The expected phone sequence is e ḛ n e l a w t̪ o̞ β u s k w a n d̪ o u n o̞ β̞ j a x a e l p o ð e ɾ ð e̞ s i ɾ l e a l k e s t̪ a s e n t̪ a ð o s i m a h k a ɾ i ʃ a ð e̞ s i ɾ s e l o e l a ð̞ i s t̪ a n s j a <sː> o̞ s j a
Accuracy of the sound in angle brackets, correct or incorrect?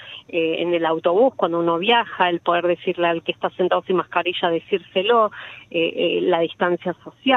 incorrect